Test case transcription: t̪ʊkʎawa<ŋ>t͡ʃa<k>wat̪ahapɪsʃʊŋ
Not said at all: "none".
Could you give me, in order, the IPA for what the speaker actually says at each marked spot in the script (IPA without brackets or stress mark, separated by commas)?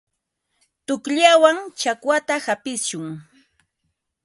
ŋ, k